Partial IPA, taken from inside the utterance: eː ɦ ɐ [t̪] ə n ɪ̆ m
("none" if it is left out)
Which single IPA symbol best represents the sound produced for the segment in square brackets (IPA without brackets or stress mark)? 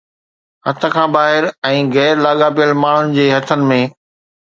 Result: t̪ʰ